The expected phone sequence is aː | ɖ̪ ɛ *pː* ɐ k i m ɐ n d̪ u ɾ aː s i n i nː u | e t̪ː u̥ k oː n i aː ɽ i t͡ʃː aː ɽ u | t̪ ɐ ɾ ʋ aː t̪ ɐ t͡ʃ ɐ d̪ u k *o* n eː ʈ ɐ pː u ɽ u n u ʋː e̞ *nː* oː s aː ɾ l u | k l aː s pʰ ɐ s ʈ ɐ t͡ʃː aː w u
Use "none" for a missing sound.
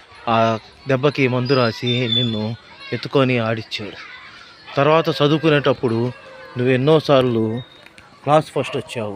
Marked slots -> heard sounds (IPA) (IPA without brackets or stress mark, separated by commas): bː, u, nː